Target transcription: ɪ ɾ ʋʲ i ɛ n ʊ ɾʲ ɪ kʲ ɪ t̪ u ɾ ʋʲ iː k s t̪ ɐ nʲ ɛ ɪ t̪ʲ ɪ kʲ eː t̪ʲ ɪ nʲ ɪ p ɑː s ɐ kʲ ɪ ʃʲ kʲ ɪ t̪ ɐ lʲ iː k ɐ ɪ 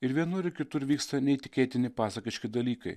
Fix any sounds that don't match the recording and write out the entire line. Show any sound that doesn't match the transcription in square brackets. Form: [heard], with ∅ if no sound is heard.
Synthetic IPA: ɪ ɾ ʋʲ i ɛ n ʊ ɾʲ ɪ kʲ ɪ t̪ [ʊ] ɾ ʋʲ iː k s t̪ ɐ nʲ ɛ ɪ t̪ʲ ɪ kʲ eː t̪ʲ ɪ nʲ ɪ p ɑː s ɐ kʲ ɪ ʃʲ kʲ ɪ [d̪] ɐ lʲ iː k ɐ ɪ